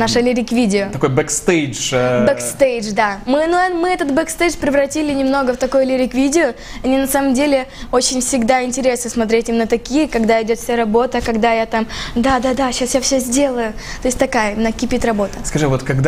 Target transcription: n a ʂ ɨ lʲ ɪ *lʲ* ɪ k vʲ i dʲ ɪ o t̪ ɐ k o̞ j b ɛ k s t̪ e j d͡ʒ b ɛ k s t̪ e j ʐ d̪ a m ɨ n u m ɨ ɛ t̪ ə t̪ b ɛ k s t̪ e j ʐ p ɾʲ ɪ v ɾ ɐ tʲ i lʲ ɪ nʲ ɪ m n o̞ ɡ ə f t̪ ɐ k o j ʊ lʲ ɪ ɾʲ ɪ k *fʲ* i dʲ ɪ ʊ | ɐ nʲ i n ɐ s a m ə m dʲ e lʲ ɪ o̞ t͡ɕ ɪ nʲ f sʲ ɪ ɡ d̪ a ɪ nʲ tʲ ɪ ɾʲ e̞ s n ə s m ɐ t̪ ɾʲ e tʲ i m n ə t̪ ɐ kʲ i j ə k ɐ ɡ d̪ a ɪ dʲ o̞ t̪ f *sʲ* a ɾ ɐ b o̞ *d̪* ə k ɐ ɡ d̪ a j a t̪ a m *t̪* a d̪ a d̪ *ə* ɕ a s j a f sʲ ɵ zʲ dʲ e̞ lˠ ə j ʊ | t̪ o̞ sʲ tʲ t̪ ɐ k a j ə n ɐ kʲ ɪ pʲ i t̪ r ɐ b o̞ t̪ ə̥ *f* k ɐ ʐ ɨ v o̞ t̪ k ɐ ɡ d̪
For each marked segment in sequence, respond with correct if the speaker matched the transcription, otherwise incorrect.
incorrect: ɾʲ, incorrect: vʲ, correct, incorrect: t̪, incorrect: d̪, incorrect: a, incorrect: s

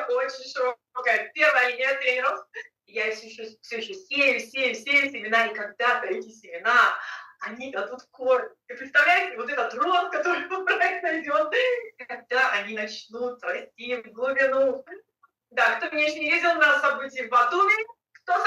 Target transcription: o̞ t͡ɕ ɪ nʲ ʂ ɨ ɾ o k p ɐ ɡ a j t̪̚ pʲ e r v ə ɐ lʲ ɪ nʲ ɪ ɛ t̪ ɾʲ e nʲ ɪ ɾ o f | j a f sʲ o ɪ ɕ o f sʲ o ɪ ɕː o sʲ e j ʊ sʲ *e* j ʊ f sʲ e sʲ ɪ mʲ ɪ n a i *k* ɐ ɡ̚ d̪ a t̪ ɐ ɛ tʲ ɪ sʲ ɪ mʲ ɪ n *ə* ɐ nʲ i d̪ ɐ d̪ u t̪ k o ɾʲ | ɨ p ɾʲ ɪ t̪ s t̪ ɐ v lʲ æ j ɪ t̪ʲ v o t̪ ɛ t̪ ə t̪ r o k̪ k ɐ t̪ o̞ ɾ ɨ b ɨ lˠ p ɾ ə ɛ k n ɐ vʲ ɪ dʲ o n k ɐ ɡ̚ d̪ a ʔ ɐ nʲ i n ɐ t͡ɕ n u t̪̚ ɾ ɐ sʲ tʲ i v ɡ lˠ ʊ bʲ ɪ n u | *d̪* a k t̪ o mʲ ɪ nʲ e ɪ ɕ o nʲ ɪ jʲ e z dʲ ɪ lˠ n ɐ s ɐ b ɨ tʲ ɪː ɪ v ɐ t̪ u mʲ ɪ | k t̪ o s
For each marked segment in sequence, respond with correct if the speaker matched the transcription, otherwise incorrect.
correct, correct, incorrect: a, correct

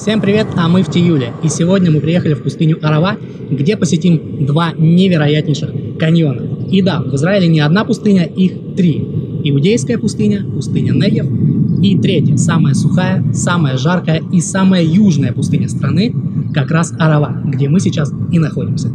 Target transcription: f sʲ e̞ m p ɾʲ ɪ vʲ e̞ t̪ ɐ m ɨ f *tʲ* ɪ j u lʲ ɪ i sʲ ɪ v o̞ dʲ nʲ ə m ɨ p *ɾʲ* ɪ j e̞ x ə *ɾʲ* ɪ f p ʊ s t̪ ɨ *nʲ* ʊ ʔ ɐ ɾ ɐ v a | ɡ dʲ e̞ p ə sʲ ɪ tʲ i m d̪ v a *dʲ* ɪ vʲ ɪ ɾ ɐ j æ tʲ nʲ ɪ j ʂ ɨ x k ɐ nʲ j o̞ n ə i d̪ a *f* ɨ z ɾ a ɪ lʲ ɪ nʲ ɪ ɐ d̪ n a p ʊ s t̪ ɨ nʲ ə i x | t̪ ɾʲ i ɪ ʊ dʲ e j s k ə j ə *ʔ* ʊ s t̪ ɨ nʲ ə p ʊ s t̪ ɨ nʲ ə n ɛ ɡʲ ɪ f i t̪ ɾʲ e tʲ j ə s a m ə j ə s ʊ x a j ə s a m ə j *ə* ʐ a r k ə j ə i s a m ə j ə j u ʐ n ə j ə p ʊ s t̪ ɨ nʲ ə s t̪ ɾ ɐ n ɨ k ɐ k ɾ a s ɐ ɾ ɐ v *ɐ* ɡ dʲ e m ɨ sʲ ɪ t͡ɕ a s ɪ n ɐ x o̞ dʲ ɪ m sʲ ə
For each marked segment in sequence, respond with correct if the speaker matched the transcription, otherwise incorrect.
correct, correct, incorrect: lʲ, correct, incorrect: nʲ, incorrect: v, incorrect: p, correct, incorrect: a

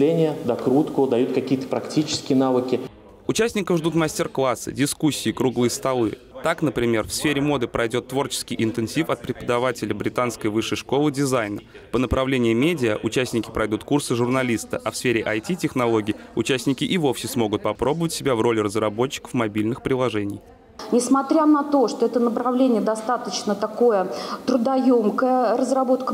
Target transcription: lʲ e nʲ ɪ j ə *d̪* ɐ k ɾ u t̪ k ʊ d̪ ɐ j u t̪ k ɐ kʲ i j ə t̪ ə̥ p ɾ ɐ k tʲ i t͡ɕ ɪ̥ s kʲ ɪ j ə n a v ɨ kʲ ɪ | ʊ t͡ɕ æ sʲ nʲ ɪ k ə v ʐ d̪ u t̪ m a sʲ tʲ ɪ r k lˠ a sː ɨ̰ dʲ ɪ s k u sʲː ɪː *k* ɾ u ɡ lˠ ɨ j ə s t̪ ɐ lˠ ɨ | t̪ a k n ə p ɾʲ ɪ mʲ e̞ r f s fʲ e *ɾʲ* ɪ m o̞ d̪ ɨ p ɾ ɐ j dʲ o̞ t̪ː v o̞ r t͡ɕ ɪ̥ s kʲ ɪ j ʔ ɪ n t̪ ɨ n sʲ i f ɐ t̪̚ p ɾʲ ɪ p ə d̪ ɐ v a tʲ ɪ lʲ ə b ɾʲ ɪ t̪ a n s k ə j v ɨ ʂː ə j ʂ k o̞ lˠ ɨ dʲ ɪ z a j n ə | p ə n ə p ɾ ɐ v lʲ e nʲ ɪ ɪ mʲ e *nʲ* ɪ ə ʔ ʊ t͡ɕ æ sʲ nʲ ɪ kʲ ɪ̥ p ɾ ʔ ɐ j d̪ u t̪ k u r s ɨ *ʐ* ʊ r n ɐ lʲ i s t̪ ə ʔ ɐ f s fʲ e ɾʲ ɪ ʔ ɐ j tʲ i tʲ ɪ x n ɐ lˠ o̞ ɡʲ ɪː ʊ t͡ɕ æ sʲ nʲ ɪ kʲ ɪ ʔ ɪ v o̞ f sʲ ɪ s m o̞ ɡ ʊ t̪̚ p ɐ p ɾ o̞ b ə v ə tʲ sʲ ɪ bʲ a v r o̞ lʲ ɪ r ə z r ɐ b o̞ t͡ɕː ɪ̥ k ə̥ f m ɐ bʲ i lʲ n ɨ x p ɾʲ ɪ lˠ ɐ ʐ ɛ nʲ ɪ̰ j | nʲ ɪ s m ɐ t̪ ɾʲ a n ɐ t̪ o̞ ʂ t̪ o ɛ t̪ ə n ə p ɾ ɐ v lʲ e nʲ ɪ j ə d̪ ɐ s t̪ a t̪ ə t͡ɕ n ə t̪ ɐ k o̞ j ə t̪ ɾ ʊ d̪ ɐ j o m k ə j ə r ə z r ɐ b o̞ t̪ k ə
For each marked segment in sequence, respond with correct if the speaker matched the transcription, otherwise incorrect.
correct, correct, correct, incorrect: dʲ, correct

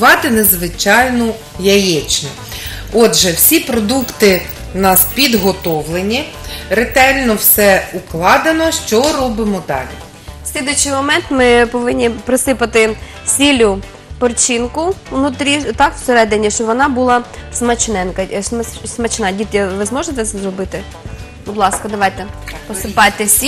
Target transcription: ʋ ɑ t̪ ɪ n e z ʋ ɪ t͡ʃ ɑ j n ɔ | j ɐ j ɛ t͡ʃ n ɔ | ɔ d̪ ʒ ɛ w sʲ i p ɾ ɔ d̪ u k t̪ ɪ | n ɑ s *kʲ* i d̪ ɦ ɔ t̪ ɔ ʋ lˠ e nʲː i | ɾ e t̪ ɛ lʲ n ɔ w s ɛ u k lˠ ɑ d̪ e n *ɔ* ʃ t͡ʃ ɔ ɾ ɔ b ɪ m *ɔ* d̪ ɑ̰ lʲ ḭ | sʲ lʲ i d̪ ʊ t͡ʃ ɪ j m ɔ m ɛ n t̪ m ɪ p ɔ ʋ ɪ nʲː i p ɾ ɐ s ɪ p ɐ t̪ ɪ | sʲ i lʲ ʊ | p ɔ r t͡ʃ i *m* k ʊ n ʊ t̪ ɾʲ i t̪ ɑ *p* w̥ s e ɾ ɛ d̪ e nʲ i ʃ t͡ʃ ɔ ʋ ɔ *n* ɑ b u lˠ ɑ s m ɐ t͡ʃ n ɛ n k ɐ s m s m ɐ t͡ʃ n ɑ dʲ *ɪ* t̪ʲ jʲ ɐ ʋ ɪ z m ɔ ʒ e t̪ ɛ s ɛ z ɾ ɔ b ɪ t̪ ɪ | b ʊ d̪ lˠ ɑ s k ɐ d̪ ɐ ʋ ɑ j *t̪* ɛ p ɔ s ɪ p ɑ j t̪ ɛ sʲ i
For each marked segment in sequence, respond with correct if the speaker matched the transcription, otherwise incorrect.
incorrect: pʲ, correct, correct, incorrect: n, incorrect: k, correct, incorrect: i, correct

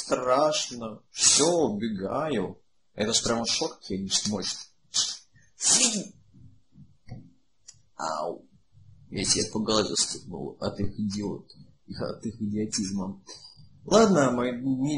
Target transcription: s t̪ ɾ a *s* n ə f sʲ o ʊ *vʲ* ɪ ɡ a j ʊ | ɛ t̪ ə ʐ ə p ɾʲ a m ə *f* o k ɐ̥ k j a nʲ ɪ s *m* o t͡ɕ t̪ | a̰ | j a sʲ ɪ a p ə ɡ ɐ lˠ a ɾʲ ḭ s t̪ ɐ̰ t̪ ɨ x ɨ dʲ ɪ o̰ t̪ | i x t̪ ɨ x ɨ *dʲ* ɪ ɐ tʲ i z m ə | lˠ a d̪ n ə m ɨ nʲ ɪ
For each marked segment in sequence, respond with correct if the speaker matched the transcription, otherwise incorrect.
incorrect: ʂ, incorrect: bʲ, incorrect: ʂ, correct, correct

